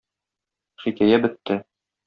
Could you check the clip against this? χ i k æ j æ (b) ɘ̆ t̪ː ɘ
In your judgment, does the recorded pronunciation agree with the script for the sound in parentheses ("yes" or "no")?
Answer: yes